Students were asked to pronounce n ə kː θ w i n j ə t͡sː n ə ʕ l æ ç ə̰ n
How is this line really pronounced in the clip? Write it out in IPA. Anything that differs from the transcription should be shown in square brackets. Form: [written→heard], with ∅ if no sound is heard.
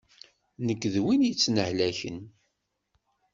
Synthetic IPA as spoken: n ə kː [θ→ð] w i n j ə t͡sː n ə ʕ l æ ç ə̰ n